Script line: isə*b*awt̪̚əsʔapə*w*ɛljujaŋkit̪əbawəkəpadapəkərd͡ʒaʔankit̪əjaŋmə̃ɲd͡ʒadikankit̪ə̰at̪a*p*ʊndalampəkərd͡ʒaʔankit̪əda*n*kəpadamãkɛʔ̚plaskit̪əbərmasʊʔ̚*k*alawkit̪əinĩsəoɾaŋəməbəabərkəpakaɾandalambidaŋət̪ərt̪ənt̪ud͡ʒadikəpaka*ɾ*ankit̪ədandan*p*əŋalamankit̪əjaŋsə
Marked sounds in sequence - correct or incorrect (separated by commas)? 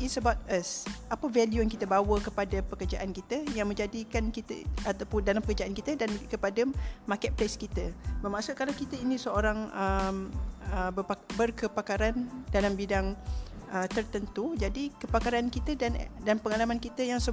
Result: correct, incorrect, correct, correct, correct, correct, correct